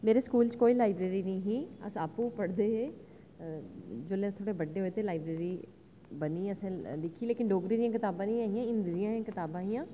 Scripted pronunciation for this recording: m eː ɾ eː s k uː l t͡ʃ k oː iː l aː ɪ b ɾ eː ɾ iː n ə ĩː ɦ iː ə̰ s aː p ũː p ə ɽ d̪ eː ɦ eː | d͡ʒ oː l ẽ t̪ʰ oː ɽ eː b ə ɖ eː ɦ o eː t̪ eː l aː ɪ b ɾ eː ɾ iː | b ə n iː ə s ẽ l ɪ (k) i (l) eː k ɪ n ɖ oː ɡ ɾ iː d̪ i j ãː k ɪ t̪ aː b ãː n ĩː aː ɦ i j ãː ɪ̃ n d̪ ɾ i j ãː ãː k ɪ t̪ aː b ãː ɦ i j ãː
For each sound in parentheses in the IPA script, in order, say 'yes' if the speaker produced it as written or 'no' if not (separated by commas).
no, yes